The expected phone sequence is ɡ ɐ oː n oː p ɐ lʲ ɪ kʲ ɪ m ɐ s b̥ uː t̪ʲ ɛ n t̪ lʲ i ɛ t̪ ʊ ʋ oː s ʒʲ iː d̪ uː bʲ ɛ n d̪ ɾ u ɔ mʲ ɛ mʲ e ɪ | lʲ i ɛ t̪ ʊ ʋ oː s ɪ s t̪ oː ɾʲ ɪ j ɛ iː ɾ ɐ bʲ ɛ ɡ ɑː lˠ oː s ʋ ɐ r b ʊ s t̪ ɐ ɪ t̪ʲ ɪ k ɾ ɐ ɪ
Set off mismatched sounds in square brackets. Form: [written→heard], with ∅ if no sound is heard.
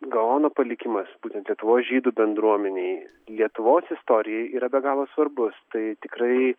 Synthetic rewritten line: ɡ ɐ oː n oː p ɐ lʲ ɪ kʲ ɪ m ɐ s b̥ uː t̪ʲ ɛ n t̪ lʲ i ɛ t̪ ʊ ʋ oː s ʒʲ iː d̪ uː bʲ ɛ n d̪ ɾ u ɔ mʲ ɛ [mʲ→nʲ] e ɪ | lʲ i ɛ t̪ ʊ ʋ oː s ɪ s t̪ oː ɾʲ ɪ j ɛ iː ɾ ɐ bʲ ɛ ɡ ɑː lˠ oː s ʋ ɐ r b ʊ s t̪ ɐ ɪ t̪ʲ ɪ k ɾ ɐ ɪ